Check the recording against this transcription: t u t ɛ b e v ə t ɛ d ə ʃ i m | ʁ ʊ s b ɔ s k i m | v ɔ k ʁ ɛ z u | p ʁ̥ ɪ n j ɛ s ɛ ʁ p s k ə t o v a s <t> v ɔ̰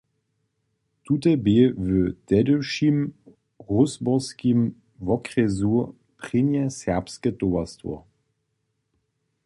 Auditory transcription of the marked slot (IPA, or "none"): t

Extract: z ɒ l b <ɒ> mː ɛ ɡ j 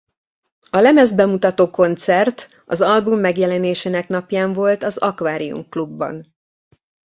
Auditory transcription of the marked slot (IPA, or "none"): u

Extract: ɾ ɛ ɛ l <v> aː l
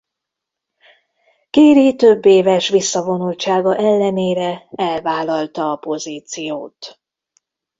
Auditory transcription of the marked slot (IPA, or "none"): v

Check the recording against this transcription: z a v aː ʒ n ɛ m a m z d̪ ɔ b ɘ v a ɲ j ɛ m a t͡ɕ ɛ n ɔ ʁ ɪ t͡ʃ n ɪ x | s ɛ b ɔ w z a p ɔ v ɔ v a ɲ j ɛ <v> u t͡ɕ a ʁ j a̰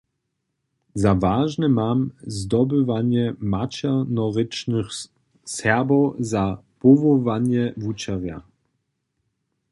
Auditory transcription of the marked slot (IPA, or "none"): v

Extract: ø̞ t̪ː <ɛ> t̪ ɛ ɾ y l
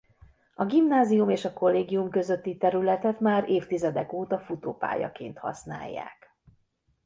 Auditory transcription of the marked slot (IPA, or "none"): i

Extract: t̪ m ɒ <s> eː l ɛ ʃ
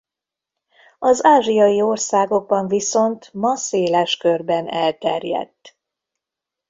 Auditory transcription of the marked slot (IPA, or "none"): s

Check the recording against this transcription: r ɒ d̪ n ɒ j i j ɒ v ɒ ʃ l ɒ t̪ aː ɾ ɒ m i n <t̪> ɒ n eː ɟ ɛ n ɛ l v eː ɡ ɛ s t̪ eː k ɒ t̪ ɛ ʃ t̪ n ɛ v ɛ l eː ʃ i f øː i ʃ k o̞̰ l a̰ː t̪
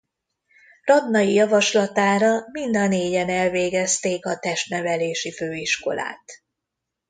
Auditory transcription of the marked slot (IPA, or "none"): d̪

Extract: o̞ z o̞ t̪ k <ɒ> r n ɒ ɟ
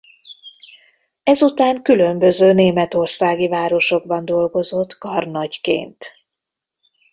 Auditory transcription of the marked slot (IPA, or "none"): ɒ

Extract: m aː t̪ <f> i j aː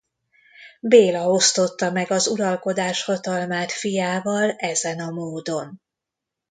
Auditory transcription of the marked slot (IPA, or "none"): f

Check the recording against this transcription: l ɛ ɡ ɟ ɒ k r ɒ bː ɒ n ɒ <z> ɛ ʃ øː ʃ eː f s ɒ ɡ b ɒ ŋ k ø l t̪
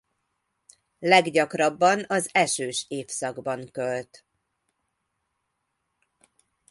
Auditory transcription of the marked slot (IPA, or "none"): z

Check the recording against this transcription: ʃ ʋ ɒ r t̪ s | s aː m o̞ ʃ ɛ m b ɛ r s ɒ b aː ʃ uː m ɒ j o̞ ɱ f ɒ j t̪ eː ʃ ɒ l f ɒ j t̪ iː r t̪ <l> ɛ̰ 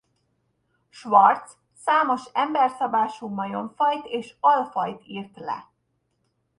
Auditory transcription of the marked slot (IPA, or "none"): l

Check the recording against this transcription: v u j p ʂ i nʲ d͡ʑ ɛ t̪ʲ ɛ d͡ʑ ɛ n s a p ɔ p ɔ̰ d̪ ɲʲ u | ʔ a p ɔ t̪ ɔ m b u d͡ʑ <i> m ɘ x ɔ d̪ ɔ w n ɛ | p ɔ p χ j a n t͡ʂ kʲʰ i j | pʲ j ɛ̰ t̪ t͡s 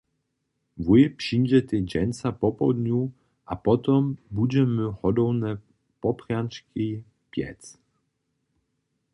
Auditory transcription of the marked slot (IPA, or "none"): ɛ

